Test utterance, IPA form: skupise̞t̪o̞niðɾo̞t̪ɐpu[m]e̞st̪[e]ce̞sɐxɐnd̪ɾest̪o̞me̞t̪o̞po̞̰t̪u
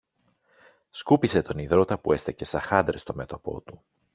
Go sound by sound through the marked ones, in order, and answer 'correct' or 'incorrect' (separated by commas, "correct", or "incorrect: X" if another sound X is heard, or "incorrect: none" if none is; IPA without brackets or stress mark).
incorrect: none, correct